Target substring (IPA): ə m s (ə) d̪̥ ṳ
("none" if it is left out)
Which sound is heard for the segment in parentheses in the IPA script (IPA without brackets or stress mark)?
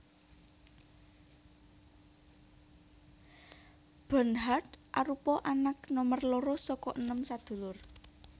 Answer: a